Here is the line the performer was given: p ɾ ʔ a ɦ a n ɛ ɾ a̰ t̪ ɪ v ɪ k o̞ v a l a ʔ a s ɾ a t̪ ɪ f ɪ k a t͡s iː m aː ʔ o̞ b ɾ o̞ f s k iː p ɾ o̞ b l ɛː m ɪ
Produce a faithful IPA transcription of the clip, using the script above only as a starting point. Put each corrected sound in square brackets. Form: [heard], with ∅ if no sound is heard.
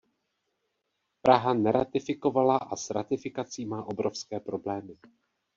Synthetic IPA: p ɾ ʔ a ɦ a n ɛ ɾ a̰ t̪ ɪ [f] ɪ k o̞ v a l a ʔ a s ɾ a t̪ ɪ f ɪ k a t͡s iː m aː ʔ o̞ b ɾ o̞ f s k [ɛː] p ɾ o̞ b l ɛː m ɪ